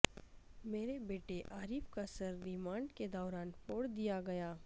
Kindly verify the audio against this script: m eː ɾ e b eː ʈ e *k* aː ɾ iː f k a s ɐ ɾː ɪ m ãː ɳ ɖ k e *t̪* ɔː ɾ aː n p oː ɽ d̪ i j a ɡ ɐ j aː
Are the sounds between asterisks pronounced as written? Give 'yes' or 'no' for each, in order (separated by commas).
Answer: no, no